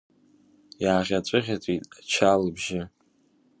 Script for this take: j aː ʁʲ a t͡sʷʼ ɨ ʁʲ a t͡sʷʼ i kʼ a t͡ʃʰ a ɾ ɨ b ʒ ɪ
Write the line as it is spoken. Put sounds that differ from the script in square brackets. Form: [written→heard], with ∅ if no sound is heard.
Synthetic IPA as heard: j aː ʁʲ a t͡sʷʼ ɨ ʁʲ a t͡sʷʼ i [kʼ→tʼ] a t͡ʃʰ a [ɾ→l] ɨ b ʒ ɪ